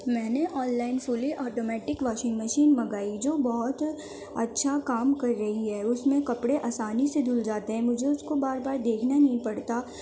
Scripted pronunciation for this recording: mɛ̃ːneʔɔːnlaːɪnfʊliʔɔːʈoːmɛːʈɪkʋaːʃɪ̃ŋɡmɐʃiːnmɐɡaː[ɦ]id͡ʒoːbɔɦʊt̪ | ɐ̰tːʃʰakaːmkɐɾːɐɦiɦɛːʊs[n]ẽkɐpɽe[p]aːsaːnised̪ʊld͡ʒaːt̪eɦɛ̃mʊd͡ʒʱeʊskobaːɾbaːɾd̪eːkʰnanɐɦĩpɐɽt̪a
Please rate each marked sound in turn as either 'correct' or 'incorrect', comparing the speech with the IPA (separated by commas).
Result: incorrect, incorrect, incorrect